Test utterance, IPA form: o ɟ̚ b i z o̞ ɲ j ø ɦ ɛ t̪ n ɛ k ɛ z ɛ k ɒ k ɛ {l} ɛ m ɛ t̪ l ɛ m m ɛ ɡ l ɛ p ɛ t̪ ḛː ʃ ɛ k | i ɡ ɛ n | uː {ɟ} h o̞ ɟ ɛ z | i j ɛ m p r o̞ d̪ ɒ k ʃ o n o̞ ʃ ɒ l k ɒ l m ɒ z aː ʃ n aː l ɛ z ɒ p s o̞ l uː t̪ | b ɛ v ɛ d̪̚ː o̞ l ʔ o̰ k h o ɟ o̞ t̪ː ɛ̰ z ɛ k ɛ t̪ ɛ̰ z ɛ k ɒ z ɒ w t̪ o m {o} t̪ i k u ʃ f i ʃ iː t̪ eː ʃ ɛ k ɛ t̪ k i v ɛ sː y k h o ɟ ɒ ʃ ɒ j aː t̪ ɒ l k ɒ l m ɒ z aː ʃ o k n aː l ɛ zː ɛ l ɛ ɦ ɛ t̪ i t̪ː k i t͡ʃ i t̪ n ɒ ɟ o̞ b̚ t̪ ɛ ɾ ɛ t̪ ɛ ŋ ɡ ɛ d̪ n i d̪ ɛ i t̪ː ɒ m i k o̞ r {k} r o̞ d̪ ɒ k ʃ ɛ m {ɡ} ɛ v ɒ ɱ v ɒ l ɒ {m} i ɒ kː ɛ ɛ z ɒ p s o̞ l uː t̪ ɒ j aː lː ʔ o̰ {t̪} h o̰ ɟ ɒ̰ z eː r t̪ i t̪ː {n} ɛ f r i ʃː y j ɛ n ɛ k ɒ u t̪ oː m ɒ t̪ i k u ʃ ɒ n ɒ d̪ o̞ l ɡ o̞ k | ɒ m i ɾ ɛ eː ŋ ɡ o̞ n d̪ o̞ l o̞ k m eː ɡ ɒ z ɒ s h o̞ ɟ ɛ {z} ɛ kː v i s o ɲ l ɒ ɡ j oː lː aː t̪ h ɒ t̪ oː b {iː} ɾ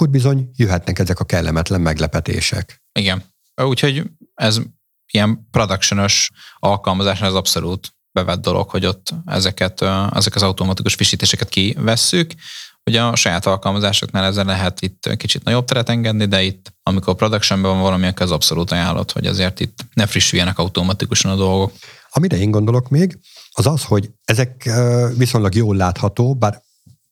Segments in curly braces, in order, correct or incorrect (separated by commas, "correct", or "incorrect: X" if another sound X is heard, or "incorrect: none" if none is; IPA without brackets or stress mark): incorrect: lː, incorrect: c, incorrect: ɒ, incorrect: p, incorrect: b, correct, correct, correct, correct, incorrect: aː